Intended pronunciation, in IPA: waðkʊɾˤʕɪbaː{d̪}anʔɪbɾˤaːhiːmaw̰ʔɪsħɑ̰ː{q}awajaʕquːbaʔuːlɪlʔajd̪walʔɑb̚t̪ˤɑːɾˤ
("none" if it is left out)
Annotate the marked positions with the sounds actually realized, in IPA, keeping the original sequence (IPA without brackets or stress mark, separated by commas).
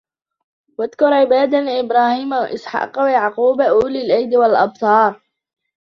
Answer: d̪, q